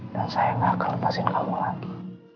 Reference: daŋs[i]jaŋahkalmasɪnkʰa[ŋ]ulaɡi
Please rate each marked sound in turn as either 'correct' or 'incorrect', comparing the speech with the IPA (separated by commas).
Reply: incorrect, incorrect